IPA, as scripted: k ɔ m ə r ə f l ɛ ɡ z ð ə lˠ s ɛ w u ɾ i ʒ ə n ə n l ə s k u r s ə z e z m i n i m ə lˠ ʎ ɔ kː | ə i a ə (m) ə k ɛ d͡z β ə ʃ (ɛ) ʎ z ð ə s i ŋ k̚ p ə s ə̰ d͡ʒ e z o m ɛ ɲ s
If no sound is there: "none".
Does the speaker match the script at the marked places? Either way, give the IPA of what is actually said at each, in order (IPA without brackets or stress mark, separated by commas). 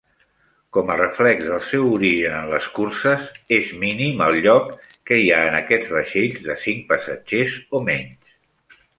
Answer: n, e